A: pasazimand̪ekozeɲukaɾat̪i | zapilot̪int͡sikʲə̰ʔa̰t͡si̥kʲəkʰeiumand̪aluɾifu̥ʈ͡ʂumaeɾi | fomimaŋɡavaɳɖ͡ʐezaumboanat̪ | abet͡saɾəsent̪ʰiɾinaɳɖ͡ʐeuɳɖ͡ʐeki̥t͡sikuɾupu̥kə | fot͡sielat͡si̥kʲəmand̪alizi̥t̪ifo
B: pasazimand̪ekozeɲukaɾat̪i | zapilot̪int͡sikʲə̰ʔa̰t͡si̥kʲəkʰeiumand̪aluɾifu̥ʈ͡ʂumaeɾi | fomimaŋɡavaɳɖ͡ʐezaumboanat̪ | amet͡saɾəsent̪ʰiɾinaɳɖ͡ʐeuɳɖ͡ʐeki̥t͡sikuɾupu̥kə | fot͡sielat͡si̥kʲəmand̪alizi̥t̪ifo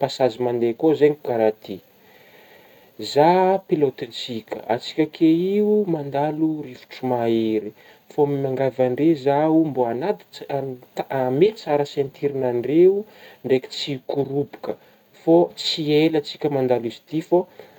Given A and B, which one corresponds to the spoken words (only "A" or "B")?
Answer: B